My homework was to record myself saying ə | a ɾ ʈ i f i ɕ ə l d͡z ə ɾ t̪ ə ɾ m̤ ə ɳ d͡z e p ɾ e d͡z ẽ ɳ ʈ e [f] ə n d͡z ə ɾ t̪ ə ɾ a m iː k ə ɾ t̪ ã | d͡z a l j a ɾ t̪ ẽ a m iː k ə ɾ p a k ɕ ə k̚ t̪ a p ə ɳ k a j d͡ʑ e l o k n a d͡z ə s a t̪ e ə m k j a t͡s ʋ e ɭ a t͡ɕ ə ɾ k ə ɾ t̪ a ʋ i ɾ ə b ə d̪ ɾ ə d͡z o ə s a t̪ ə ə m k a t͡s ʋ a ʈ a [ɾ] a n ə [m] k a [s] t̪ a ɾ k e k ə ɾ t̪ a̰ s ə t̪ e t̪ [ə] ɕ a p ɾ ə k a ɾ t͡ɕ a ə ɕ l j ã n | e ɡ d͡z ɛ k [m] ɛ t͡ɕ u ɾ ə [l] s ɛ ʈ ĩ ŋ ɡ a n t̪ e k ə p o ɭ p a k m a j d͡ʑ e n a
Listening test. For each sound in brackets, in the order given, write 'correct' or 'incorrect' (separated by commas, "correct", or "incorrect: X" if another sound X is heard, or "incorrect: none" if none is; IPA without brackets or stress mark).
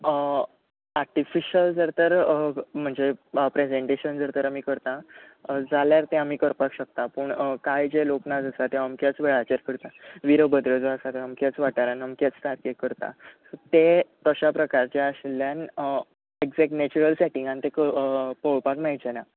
incorrect: ɕ, correct, correct, incorrect: t͡s, correct, incorrect: n, correct